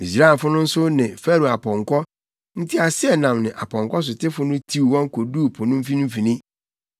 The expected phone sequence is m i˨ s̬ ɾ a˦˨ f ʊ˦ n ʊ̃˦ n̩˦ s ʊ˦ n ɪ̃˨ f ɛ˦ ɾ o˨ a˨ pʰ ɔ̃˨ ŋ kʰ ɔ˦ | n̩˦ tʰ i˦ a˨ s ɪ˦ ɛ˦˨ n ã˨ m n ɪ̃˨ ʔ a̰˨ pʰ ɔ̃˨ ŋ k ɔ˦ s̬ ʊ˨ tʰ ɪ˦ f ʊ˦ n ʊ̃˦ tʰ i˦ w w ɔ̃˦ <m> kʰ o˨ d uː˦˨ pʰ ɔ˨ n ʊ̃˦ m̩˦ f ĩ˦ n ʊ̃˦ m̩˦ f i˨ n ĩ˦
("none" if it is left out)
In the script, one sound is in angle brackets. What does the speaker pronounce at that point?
ŋ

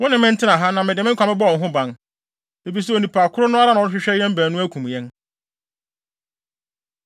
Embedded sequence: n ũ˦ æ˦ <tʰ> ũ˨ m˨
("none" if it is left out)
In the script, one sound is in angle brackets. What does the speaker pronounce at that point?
kʰ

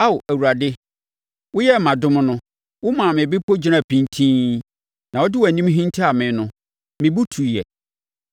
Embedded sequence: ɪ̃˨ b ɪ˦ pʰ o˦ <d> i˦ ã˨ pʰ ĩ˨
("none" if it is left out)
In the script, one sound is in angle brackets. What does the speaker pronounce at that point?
d͡ʑ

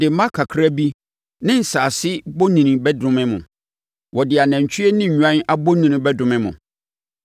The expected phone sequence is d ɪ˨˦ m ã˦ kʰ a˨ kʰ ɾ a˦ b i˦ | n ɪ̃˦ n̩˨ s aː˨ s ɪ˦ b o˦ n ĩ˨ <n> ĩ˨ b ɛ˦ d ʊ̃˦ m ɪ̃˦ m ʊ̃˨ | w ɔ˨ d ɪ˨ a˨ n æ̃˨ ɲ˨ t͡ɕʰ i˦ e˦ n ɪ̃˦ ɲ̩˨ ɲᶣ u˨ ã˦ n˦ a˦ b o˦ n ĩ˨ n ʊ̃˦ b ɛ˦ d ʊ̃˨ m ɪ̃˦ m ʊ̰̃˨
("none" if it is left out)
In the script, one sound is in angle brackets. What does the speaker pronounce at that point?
n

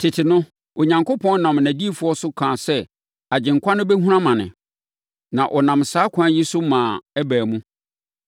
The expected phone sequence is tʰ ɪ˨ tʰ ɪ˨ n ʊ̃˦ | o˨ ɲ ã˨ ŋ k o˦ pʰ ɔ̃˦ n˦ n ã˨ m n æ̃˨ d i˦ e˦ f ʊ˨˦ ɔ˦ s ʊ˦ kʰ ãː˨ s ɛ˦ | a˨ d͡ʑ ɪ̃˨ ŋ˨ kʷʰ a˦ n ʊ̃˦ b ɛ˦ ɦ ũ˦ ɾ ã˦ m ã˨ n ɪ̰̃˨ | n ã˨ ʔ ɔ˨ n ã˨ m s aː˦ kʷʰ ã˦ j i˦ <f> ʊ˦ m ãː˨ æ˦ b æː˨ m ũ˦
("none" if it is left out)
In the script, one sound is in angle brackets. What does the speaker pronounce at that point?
s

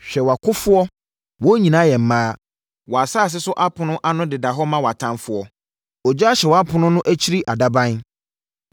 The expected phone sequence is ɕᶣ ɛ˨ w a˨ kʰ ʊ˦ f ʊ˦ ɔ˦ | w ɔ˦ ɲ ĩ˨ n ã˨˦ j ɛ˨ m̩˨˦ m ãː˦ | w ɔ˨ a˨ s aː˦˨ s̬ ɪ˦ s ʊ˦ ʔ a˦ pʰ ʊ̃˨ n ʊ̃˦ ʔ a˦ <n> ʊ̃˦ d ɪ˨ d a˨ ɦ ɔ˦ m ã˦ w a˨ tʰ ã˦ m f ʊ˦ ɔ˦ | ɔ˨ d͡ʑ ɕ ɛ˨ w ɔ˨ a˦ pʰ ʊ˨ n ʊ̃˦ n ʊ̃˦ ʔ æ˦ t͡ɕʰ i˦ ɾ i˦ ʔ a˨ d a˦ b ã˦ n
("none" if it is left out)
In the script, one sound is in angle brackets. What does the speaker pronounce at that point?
n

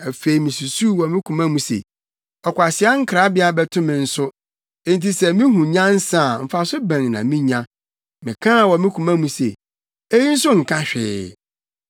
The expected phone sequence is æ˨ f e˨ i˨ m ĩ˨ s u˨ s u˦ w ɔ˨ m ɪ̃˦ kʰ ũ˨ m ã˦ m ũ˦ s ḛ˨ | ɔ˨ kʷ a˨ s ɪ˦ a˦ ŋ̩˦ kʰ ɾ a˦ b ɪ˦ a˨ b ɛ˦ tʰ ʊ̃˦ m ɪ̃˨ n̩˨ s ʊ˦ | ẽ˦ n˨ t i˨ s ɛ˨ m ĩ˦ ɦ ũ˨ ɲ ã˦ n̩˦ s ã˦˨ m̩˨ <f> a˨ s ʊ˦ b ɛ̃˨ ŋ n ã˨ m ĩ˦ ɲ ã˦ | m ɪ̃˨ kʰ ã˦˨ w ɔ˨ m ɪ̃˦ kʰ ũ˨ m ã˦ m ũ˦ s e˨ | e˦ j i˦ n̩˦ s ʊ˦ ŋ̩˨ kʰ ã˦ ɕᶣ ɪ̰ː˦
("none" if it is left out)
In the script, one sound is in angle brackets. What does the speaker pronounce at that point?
f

